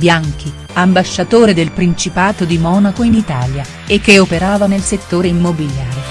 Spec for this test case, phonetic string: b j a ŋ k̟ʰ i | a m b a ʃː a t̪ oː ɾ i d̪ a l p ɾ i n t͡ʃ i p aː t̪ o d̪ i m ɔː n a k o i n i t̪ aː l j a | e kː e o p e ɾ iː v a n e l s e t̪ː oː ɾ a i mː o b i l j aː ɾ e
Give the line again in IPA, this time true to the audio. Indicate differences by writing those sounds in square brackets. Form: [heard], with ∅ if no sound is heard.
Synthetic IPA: b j a ŋ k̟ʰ i | a m b a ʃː a t̪ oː ɾ [e] d̪ [e] l p ɾ i n t͡ʃ i p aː t̪ o d̪ i m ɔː n a k o i n i t̪ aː l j a | e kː e o p e ɾ [aː] v a n e l s e t̪ː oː ɾ [e] i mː o b i l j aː ɾ e